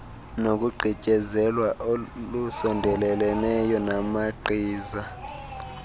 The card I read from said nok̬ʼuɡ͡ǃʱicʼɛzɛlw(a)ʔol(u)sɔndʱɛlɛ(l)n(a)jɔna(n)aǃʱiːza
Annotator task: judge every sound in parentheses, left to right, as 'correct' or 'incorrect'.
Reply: correct, correct, correct, incorrect: ɛ, incorrect: m

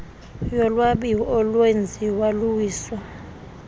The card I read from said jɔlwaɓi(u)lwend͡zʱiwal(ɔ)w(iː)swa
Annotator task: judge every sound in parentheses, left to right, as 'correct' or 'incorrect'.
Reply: incorrect: ɔ, incorrect: u, correct

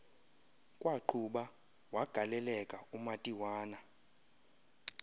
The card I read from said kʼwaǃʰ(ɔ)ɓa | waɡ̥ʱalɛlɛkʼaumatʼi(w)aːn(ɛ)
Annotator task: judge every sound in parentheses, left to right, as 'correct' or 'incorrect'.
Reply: incorrect: u, correct, incorrect: a

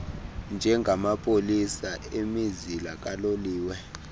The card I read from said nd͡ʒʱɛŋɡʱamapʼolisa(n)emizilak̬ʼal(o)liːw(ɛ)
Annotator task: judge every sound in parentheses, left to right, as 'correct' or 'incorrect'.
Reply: incorrect: none, correct, correct

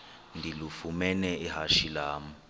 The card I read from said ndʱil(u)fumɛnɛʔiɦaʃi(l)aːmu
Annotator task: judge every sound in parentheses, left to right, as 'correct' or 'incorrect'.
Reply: correct, correct

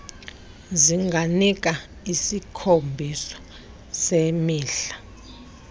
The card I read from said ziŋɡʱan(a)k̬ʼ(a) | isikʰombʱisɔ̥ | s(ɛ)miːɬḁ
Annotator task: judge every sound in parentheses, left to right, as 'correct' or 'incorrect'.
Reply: incorrect: i, correct, incorrect: e

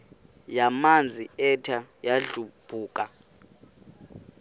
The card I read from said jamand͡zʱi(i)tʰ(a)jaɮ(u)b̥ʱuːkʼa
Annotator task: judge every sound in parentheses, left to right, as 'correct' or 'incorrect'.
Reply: incorrect: ɛ, correct, correct

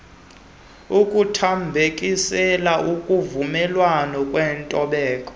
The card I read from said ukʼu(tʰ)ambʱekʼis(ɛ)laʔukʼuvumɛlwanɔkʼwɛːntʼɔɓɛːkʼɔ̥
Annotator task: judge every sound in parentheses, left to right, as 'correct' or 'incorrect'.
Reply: correct, correct

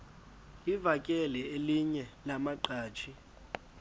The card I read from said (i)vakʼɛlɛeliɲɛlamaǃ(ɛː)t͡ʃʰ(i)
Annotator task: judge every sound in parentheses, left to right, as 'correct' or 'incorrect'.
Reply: correct, incorrect: aː, correct

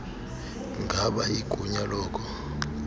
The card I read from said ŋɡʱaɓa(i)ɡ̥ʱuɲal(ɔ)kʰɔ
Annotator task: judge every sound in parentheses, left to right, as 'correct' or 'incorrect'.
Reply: correct, incorrect: ɔː

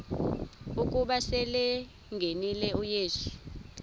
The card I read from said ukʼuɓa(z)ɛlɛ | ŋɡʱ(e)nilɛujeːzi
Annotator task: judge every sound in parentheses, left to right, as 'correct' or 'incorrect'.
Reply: incorrect: s, correct

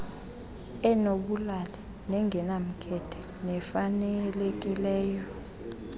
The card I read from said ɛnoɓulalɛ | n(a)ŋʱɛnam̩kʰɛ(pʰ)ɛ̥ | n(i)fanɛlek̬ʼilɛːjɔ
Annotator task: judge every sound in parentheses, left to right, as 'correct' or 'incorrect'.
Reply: incorrect: ɛ, incorrect: tʰ, incorrect: ɛ

